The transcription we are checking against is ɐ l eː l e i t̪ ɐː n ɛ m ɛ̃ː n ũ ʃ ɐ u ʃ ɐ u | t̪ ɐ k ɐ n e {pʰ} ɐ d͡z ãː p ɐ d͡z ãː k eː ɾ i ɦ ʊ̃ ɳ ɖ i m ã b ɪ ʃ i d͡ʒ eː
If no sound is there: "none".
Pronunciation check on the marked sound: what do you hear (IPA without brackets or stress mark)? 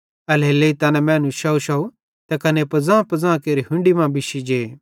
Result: p